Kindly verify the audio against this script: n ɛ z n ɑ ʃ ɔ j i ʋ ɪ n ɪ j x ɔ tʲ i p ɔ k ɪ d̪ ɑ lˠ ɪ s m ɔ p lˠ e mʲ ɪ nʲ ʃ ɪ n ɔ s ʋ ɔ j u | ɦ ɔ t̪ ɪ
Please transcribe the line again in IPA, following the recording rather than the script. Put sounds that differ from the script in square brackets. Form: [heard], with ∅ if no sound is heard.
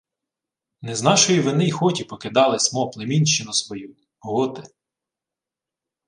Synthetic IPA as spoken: n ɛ z n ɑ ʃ ɔ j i ʋ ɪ n ɪ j x ɔ tʲ i p ɔ k ɪ d̪ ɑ lˠ ɪ s m ɔ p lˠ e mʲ [i] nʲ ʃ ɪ n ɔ s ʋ ɔ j u | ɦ ɔ t̪ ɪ